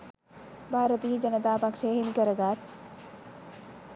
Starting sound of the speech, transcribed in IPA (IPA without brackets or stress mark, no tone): bʱ